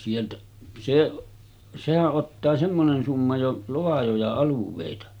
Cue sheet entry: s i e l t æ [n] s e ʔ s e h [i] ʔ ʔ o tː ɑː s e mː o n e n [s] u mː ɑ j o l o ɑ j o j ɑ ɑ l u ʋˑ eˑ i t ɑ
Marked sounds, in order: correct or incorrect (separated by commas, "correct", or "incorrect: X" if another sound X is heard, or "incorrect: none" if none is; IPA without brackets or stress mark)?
incorrect: none, incorrect: æ, correct